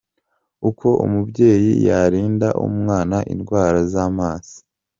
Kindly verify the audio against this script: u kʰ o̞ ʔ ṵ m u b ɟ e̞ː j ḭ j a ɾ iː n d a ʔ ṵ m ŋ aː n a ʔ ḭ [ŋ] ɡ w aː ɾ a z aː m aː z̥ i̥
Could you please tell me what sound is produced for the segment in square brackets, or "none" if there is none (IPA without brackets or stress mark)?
n